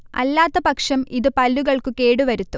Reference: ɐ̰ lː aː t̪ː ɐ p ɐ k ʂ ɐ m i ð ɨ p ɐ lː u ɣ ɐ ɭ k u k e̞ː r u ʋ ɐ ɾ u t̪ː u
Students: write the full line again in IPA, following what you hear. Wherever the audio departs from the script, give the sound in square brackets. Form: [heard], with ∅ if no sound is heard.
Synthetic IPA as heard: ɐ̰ lː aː t̪ː ɐ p ɐ k ʂ ɐ m i ð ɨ p ɐ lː u ɣ ɐ ɭ k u k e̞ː [ɽ] u ʋ ɐ ɾ u t̪ː u